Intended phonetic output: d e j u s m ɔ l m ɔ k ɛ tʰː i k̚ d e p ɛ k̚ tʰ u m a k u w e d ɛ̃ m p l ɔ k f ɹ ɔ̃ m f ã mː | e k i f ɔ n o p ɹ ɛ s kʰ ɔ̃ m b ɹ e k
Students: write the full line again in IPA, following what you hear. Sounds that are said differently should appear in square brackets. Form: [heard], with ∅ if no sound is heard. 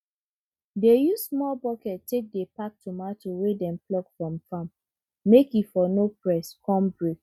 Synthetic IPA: d e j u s m ɔ l [b] ɔ k ɛ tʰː [e] k̚ d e p [a] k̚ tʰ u m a [t] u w e d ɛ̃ m p l ɔ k f ɹ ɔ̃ m f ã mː | e k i f ɔ n o p ɹ ɛ s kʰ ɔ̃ m b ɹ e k